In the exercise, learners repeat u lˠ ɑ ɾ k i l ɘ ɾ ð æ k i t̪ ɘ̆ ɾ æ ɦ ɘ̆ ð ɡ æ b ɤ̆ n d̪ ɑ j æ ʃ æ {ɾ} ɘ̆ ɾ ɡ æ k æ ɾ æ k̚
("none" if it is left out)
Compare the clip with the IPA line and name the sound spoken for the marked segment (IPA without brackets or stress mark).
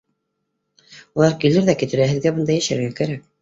ɾ